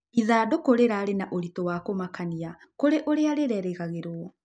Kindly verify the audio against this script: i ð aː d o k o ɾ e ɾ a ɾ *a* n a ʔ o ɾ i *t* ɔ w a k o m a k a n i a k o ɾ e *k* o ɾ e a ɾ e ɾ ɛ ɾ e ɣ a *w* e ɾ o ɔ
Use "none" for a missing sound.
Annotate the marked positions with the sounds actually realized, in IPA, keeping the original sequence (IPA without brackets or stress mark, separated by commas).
e, t, ʔ, ɣ